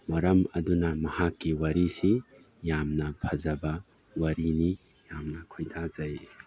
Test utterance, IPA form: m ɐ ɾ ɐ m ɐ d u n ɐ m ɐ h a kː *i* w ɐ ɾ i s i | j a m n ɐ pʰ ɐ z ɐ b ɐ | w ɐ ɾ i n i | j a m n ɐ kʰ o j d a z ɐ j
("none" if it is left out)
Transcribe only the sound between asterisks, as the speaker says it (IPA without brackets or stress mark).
i